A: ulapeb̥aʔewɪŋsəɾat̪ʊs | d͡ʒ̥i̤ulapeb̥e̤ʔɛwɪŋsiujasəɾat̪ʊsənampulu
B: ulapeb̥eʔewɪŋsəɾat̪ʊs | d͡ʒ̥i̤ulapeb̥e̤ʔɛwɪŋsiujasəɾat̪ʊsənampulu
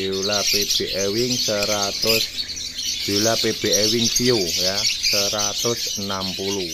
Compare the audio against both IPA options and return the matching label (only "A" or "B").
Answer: B